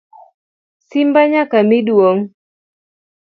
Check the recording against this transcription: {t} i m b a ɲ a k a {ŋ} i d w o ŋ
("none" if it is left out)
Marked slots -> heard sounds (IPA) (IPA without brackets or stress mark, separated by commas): s, m